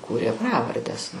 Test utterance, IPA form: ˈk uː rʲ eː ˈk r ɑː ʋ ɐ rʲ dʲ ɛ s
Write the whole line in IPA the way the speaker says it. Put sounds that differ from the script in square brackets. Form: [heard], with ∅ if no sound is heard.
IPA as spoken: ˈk uː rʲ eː [ˈp] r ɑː ʋ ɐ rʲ dʲ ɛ s

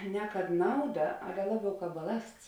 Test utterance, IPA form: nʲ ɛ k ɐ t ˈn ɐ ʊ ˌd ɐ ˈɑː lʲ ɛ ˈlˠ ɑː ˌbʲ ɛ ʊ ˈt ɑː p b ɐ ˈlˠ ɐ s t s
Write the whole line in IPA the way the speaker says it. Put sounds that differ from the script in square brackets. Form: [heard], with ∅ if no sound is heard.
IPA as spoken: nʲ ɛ k ɐ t ˈn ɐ ʊ ˌd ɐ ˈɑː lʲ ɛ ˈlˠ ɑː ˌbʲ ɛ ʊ [ˈk] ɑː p b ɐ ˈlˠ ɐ s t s

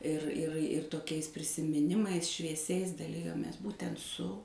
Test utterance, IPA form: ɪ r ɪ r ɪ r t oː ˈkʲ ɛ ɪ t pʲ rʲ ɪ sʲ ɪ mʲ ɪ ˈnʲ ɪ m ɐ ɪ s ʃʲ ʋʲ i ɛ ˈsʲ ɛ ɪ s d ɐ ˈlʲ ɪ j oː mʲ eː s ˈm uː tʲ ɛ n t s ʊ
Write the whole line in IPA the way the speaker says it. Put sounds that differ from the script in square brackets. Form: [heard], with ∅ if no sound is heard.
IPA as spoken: ɪ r ɪ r ɪ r t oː ˈkʲ ɛ ɪ [s] pʲ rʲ ɪ sʲ ɪ mʲ ɪ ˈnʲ ɪ m ɐ ɪ s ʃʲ ʋʲ i ɛ ˈsʲ ɛ ɪ s d ɐ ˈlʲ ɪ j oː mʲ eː s [ˈb] uː tʲ ɛ n t s ʊ

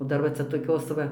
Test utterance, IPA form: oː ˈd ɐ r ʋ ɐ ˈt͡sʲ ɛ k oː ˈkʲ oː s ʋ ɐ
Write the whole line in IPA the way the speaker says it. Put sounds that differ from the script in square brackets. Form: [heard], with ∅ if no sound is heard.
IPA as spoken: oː ˈd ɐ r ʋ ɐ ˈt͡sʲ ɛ [t] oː ˈkʲ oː s ʋ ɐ

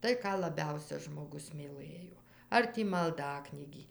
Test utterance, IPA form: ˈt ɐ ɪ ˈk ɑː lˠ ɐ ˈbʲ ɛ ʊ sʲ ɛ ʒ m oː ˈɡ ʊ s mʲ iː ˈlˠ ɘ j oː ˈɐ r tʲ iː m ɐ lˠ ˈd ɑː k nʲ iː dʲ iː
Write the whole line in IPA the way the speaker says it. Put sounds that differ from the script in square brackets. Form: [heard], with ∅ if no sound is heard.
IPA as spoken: ˈt ɐ ɪ ˈk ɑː lˠ ɐ ˈbʲ ɛ ʊ sʲ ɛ ʒ m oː ˈɡ ʊ s mʲ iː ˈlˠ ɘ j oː ˈɐ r tʲ iː m ɐ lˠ ˈd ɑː k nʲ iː [ɡʲ] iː

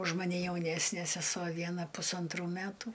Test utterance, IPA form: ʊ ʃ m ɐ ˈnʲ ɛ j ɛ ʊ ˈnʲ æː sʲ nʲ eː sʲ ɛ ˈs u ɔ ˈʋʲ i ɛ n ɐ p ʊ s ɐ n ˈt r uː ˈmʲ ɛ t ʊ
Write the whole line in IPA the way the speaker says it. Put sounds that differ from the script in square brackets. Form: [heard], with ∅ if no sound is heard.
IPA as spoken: ʊ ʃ m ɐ ˈnʲ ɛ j ɛ ʊ ˈnʲ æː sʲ nʲ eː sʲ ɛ ˈs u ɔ ˈʋʲ i ɛ n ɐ p ʊ s ɐ n ˈt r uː ˈmʲ [æ] t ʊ

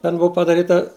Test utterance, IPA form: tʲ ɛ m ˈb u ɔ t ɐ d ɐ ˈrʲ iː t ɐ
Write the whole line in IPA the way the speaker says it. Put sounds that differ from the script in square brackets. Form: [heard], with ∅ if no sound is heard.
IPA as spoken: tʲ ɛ [n] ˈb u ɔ [p] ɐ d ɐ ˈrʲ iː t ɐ

